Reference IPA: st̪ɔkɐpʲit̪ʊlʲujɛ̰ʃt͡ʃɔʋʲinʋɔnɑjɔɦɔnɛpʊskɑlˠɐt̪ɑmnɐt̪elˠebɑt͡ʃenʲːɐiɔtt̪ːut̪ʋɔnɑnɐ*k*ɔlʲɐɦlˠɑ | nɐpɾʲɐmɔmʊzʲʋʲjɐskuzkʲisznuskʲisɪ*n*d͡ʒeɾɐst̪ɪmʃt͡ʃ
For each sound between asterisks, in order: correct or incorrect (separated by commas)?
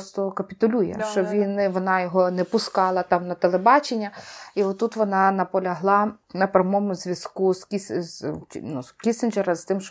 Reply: incorrect, correct